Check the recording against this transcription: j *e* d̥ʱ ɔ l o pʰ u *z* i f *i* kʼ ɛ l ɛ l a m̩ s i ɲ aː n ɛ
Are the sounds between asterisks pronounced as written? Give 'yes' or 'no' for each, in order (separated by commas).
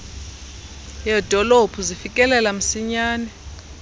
no, yes, yes